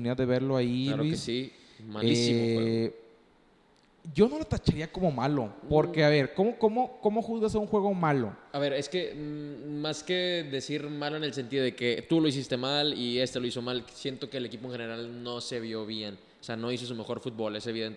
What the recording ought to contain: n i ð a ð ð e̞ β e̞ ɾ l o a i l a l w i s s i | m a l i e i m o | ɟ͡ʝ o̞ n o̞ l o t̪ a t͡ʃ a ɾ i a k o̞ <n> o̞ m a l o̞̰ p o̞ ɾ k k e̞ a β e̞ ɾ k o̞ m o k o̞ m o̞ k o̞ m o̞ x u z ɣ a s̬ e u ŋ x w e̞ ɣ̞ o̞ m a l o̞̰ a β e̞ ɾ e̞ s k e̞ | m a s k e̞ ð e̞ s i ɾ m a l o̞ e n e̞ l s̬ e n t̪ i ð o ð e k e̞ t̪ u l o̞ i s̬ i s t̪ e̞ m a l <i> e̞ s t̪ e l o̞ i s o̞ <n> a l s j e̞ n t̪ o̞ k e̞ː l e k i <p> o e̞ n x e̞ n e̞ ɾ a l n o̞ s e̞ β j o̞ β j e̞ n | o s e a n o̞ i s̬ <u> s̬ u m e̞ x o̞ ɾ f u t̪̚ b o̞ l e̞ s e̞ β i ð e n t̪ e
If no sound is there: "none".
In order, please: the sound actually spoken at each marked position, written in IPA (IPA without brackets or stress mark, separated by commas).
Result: m, i, m, p, o